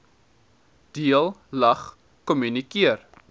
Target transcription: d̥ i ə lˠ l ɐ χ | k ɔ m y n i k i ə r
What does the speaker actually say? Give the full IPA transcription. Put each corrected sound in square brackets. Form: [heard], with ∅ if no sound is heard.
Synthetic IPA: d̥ i ə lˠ l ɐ χ | k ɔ m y n i k i ə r